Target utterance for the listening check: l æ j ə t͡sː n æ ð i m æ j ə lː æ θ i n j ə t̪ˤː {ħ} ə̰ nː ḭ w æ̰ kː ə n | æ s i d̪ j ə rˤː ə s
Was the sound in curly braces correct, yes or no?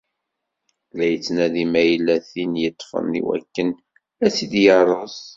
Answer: no